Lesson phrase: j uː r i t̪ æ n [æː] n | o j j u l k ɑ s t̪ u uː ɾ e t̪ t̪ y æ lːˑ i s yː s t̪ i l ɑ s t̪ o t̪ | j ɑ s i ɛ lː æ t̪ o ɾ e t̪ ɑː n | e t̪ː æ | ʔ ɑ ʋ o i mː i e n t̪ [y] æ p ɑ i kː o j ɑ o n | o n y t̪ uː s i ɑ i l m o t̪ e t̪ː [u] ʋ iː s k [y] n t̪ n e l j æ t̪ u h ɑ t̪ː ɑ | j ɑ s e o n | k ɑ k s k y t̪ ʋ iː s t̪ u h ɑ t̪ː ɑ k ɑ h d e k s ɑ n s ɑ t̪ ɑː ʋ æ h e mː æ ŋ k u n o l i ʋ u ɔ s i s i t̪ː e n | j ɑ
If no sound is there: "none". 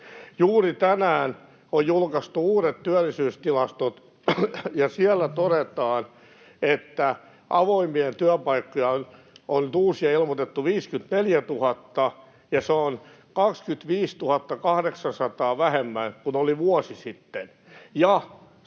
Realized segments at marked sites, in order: æː, y, u, y

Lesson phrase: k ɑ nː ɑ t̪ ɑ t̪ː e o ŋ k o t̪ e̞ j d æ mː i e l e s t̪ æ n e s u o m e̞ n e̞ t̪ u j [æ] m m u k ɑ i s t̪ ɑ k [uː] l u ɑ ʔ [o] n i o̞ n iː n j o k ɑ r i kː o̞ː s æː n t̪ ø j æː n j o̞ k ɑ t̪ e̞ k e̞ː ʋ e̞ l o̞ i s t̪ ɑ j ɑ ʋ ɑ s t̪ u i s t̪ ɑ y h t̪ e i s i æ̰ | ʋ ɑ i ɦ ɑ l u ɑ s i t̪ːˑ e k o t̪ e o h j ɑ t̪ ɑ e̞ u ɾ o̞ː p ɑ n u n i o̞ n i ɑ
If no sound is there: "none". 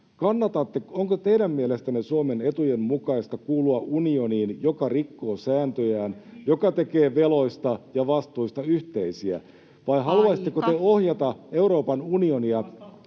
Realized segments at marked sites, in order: e, uː, u

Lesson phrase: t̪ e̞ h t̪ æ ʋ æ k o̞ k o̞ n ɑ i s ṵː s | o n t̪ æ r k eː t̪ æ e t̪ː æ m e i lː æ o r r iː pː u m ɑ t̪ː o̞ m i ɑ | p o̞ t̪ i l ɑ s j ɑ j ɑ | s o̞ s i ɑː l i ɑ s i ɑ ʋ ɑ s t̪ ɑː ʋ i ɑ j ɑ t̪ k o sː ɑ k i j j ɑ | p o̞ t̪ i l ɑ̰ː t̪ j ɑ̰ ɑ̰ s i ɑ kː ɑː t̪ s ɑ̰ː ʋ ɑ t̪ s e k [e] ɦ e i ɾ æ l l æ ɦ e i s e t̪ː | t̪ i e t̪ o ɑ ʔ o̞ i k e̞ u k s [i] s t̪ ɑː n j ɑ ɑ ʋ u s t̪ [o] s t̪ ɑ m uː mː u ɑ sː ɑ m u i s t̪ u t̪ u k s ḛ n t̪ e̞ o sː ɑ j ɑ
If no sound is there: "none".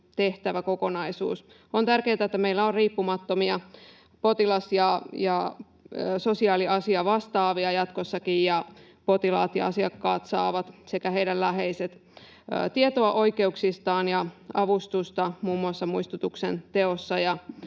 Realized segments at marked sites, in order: æ, i, u

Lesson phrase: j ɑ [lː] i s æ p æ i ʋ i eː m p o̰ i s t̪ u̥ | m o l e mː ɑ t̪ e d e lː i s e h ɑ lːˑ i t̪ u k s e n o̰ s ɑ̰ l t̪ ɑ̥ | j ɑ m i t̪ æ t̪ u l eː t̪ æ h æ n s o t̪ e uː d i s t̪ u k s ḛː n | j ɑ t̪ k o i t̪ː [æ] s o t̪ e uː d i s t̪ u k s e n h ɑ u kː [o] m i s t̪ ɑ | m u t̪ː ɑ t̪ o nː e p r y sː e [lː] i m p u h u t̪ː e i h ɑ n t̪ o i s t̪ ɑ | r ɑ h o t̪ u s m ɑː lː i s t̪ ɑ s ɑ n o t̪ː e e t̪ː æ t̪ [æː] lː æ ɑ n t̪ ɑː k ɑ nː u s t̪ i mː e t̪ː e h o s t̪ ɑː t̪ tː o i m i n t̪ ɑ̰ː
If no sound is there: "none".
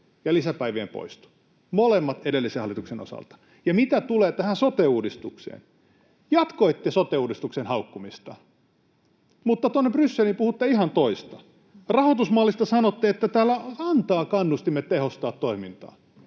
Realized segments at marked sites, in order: l, e, u, l, æː

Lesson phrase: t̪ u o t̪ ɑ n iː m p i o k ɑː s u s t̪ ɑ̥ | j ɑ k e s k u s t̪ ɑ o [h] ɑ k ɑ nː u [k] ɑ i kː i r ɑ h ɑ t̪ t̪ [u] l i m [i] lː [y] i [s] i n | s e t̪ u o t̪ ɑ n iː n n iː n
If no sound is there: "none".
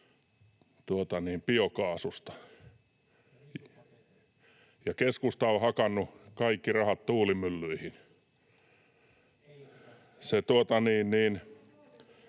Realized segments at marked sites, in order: h, k, uː, y, y, h

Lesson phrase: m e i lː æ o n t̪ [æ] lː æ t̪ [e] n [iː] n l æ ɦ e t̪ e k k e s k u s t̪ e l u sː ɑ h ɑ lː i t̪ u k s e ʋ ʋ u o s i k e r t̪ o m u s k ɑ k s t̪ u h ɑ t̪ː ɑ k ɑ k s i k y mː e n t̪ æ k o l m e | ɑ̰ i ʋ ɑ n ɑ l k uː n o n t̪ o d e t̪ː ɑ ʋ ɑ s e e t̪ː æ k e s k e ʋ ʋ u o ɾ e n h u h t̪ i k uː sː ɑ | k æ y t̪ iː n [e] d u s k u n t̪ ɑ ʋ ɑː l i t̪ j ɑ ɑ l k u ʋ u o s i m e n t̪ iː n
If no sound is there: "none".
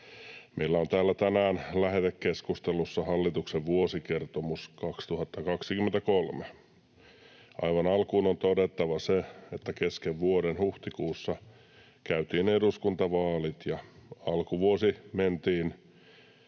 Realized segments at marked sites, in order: æː, æ, æː, e

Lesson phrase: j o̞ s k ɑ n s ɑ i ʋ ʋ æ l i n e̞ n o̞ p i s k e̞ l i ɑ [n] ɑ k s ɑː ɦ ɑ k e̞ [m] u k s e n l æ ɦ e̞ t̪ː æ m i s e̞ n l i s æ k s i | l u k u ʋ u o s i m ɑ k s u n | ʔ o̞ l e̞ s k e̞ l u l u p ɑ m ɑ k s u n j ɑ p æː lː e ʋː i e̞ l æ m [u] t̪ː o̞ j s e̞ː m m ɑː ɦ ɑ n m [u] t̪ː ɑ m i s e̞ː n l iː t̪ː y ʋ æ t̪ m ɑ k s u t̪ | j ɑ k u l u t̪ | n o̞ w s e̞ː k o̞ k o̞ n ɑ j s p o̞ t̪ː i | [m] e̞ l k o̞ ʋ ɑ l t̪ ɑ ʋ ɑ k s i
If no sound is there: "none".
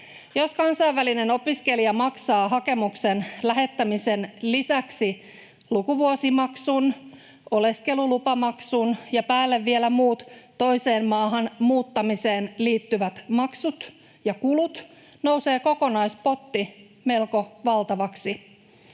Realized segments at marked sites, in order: m, m, uː, uː, m

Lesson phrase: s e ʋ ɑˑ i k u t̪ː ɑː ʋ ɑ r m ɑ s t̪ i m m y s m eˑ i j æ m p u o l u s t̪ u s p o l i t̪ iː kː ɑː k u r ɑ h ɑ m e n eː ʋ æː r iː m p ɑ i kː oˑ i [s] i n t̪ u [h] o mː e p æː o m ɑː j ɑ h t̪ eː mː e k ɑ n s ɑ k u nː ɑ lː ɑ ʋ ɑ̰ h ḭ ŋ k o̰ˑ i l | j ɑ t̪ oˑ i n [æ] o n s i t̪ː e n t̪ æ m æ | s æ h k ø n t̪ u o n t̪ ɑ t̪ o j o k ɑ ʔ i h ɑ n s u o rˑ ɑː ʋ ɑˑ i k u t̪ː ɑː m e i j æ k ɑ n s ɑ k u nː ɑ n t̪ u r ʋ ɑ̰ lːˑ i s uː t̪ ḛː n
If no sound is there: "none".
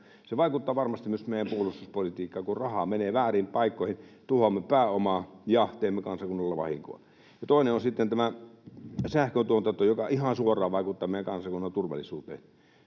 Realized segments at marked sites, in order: h, h, e

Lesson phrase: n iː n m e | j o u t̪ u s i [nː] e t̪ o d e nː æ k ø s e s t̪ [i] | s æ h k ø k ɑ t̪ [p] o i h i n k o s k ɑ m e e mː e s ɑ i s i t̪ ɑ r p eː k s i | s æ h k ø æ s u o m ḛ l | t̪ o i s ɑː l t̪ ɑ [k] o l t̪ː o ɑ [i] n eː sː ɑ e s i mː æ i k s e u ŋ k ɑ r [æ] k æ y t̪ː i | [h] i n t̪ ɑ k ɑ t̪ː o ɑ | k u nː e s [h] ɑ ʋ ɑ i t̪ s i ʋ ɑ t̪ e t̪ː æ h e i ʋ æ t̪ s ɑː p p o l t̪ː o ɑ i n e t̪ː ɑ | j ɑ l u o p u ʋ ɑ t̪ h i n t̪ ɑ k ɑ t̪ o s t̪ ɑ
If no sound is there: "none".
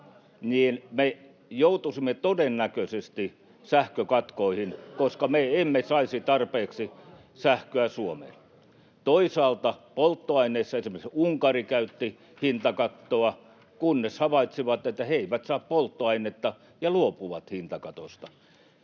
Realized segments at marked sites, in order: mː, i, k, p, i, i, h, h

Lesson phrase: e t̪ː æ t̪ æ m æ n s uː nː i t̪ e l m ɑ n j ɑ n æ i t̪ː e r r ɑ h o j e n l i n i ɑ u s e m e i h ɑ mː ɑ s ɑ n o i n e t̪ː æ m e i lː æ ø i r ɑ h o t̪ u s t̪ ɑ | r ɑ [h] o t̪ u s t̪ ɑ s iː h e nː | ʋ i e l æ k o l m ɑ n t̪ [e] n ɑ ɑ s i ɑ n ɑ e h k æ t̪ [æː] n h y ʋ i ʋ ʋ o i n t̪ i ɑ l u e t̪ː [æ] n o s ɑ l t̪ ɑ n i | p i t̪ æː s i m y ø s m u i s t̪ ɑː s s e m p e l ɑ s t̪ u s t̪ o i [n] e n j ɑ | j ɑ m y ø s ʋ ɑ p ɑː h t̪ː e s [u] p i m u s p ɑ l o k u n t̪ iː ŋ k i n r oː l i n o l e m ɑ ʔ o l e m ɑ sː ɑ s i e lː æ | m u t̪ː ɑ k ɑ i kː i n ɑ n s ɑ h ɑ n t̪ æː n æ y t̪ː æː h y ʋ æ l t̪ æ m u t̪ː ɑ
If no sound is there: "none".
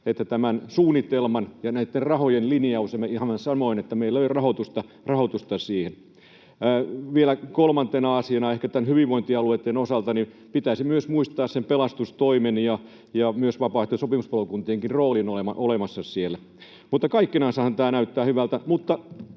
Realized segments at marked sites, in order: h, e, æ, e, m, o

